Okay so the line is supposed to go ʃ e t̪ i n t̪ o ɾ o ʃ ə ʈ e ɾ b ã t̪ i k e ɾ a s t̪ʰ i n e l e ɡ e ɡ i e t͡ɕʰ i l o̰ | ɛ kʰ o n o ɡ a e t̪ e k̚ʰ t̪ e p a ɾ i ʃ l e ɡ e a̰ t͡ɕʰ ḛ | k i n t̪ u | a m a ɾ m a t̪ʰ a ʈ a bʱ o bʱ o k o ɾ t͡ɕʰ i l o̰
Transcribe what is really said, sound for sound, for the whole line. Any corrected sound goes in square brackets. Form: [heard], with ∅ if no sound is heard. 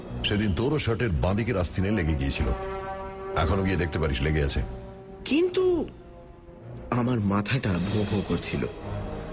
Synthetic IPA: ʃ e [d̪] i n t̪ o ɾ o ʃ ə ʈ e ɾ b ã [d̪] i k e ɾ a s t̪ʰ i n e l e ɡ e ɡ i e t͡ɕʰ i l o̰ | ɛ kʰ o n o ɡ [i] e [d̪] e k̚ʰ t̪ e p a ɾ i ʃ l e ɡ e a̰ t͡ɕʰ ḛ | k i n t̪ u | a m a ɾ m a t̪ʰ a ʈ a bʱ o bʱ o k o ɾ t͡ɕʰ i l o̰